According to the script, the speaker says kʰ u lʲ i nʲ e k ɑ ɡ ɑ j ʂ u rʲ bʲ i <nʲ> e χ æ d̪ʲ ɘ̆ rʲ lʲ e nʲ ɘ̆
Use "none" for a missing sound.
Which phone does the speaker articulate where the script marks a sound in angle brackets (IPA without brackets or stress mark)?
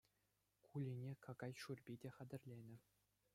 dʲ